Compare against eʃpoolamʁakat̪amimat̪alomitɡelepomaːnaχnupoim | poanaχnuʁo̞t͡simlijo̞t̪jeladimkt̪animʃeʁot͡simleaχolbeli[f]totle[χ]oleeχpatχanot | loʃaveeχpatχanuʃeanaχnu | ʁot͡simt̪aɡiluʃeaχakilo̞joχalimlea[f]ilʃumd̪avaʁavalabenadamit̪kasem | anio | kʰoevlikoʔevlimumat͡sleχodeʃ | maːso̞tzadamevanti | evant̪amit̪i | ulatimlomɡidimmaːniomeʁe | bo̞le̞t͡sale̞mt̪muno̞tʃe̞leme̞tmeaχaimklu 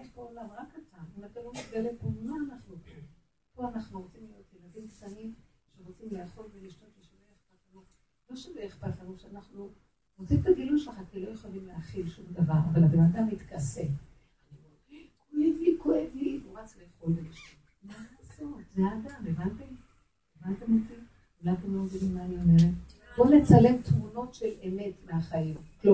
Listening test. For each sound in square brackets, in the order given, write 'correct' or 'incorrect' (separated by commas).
incorrect, incorrect, incorrect